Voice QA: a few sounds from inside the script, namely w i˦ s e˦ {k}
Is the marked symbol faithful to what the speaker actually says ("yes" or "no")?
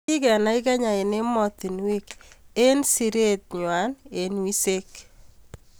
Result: yes